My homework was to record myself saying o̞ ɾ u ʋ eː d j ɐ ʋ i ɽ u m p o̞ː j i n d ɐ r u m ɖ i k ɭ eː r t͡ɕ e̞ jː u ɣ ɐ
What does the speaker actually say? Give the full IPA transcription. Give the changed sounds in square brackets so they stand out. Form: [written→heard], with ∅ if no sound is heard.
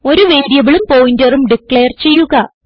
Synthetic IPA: o̞ ɾ u ʋ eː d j ɐ ʋ i [ɽ→ɭ] u m p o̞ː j i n d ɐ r u m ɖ i k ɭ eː r t͡ɕ e̞ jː u ɣ ɐ